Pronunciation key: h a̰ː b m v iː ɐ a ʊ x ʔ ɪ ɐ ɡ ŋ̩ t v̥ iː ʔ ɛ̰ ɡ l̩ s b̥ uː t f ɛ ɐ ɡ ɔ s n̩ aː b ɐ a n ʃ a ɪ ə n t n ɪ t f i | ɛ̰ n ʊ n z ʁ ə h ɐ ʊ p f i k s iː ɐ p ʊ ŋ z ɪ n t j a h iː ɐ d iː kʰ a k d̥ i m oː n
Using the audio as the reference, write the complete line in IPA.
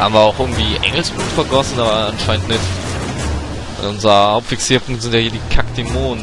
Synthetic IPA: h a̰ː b m v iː ɐ a ʊ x ʔ ɪ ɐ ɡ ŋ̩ t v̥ iː ʔ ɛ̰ ŋ l̩ s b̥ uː t f ɛ ɐ ɡ ɔ s n̩ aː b ɐ a n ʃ a ɪ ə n t n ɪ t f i | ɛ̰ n ʊ n z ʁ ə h a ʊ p f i k s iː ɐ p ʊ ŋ z ɪ n t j a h iː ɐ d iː kʰ a k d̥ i m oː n